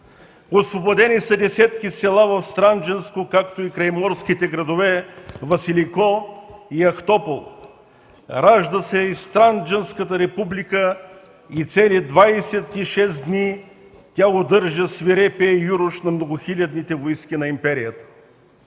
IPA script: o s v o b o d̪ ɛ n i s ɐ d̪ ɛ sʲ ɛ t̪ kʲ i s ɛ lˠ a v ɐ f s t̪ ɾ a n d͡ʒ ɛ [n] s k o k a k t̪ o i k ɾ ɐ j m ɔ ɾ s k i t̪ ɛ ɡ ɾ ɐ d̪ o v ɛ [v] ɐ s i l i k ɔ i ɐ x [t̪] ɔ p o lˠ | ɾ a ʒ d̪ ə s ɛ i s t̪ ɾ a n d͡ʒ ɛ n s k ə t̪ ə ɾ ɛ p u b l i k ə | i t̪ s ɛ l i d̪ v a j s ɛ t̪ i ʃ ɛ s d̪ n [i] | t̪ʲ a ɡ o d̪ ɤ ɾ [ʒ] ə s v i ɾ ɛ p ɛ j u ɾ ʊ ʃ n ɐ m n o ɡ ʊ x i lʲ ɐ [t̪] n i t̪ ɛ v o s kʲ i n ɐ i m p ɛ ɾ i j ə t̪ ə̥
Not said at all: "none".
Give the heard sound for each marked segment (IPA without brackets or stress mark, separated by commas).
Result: n, v, t̪, i, ʒ, d̪